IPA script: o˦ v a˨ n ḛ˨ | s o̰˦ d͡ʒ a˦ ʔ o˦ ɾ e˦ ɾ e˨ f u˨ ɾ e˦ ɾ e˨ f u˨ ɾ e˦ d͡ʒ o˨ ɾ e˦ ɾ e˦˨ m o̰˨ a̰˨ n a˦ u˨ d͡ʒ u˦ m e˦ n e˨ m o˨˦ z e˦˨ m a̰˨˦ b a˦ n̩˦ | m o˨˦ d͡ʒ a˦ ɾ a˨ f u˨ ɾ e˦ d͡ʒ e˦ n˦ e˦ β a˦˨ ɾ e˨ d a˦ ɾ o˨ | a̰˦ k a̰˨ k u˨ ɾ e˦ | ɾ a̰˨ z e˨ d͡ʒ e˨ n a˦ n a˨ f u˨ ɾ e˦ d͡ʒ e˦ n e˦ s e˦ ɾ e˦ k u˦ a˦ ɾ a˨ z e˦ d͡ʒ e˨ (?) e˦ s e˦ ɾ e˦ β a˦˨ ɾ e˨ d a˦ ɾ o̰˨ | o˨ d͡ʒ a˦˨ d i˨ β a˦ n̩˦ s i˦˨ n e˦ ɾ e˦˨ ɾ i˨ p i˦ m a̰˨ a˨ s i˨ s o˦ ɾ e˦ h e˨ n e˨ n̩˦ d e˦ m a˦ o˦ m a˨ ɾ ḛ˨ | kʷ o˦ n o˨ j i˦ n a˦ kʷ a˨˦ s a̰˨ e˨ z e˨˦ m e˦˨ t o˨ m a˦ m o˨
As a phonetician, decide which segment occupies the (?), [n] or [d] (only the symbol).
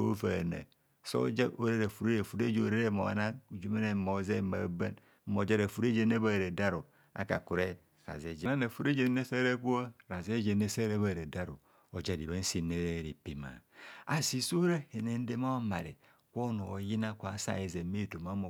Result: n